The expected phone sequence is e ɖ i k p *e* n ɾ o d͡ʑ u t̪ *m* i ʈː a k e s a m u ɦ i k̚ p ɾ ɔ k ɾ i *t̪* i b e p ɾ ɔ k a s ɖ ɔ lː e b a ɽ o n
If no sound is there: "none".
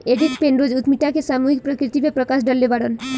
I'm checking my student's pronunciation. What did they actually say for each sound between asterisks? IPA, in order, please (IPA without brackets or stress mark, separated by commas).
e, m, t̪